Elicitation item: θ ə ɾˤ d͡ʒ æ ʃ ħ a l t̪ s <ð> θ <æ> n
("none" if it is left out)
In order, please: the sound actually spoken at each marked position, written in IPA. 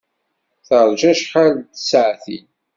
ʕ, i

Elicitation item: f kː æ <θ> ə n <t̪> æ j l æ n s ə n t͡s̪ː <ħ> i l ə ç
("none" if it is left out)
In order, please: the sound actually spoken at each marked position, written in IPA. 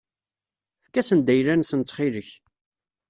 s, d̪, χ

